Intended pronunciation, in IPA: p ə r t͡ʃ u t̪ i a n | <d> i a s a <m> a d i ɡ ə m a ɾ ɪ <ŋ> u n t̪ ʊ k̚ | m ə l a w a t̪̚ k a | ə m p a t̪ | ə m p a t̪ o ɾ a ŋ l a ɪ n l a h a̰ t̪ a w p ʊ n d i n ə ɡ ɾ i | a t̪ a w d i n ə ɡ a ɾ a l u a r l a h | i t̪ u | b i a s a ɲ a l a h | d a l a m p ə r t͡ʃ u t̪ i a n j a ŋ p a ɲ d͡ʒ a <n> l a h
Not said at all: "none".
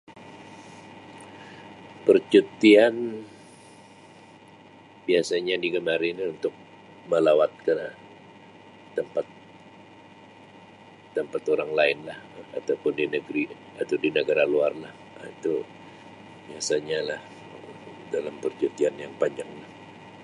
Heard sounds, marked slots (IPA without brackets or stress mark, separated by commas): b, ɲ, n, ŋ